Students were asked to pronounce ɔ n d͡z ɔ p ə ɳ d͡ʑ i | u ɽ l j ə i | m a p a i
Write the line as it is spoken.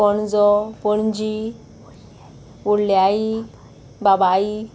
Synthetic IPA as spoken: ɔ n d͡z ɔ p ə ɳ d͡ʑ i | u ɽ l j a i | b a b a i